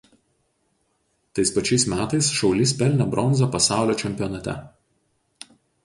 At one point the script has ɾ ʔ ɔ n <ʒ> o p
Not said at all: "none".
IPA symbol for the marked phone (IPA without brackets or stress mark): z